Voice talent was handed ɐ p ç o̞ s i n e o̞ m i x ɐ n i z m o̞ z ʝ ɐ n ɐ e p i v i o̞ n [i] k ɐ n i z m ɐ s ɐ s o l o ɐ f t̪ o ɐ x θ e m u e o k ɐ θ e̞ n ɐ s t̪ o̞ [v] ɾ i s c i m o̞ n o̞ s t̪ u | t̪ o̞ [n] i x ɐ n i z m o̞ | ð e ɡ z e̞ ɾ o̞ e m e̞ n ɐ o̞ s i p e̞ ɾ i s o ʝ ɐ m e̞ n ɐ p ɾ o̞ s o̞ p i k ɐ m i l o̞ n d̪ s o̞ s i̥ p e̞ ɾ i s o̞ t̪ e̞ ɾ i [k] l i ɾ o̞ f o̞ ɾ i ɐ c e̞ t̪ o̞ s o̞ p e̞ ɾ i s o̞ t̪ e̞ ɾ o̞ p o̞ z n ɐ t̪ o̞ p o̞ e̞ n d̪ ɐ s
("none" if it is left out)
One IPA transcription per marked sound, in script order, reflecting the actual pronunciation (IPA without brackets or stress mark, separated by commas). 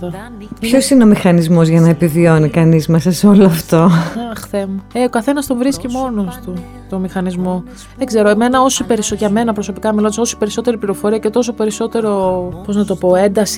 i, v, m, p